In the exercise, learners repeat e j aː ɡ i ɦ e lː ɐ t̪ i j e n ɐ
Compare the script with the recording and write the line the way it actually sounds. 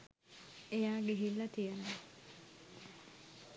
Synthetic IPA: e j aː ɡ e ɦ i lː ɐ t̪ i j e n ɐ